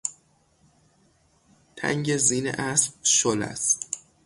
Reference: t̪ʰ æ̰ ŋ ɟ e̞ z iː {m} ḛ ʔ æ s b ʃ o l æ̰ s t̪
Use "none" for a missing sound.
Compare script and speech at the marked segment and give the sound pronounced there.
n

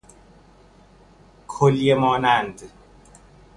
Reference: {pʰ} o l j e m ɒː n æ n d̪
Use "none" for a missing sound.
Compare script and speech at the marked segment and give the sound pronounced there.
kʰ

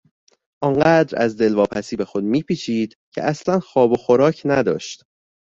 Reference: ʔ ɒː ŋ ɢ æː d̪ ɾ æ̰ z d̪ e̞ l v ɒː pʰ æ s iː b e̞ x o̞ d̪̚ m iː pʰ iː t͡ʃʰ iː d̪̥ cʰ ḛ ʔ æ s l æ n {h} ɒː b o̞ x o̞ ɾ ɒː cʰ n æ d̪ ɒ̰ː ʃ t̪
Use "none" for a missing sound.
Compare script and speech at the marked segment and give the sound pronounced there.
x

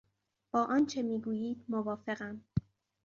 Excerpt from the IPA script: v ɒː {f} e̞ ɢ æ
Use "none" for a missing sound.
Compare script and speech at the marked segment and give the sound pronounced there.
f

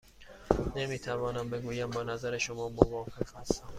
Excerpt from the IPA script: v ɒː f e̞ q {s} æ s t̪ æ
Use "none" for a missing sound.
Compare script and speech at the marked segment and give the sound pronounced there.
h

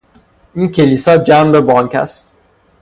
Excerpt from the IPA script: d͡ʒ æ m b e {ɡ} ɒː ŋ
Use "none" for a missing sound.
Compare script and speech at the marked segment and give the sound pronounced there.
b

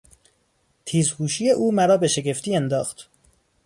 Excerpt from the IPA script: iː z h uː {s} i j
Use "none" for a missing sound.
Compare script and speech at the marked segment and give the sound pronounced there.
ʃ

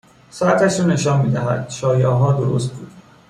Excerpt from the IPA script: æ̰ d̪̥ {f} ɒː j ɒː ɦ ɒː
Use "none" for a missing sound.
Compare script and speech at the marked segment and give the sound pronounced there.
ʃ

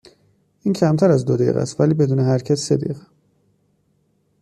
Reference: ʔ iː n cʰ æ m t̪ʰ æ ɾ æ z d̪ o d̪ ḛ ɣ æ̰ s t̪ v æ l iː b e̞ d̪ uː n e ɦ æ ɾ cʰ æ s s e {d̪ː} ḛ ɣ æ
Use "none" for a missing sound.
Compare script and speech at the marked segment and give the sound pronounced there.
d̪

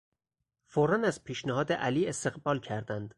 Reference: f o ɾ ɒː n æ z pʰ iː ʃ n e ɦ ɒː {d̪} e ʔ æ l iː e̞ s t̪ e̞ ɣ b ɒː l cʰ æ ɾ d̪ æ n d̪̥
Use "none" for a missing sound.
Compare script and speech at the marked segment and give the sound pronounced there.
d̪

